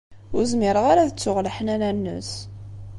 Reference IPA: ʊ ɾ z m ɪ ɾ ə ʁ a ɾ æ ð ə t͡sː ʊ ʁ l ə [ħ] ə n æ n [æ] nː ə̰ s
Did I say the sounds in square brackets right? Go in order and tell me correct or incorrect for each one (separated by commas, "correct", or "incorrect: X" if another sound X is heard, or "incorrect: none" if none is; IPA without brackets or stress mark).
correct, correct